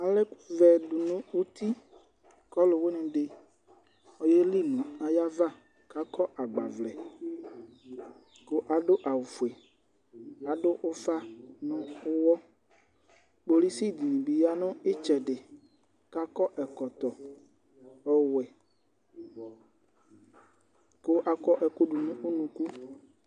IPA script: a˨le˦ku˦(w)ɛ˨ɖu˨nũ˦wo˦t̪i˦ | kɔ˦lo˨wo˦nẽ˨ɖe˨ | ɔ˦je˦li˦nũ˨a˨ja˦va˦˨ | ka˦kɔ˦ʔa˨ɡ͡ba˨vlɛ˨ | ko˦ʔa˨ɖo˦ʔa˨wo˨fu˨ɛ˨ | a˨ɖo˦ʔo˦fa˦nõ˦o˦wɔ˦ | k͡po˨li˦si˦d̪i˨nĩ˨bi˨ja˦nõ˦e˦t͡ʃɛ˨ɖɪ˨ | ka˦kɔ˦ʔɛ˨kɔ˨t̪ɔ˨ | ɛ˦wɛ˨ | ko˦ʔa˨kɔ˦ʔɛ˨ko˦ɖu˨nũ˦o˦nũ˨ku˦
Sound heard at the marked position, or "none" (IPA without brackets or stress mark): v